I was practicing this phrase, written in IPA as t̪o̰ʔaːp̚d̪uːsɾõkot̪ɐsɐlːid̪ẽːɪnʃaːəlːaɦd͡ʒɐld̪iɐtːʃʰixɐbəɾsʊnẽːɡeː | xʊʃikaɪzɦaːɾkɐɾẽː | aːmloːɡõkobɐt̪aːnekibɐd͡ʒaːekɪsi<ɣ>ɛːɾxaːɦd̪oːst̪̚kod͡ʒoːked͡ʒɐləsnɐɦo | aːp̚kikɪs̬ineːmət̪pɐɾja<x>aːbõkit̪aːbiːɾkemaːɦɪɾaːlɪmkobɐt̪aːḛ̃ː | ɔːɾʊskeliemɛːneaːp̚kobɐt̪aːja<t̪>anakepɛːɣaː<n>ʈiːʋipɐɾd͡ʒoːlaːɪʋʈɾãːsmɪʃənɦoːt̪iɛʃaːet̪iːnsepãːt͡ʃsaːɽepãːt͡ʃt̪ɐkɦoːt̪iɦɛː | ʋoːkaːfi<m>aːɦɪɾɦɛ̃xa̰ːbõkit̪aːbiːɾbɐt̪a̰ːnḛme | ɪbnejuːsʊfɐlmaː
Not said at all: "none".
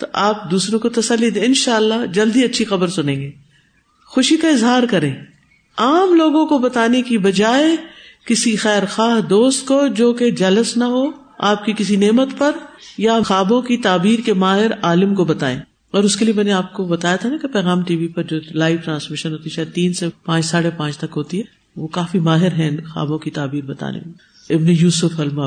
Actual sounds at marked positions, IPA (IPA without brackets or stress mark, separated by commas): x, x, t̪ʰ, m, m